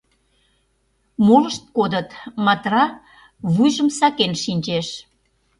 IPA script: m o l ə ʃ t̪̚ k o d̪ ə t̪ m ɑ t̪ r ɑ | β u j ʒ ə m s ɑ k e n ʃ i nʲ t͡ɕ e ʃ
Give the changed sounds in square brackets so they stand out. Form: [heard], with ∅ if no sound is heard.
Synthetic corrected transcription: m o l ə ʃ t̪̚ k o d̪ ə t̪ m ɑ t̪ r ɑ | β u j ʒ ə m s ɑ k e n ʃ i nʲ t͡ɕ e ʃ